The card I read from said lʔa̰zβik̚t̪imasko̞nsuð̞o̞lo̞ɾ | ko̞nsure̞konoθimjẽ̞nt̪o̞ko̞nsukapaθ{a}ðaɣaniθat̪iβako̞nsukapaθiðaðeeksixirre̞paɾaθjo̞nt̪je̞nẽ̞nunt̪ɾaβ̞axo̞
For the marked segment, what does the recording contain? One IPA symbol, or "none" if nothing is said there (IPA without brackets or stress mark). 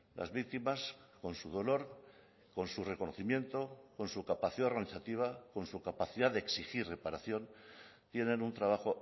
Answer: i